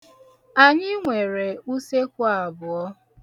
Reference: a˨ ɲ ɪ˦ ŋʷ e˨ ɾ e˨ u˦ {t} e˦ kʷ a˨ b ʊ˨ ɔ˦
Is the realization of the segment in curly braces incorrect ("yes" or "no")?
yes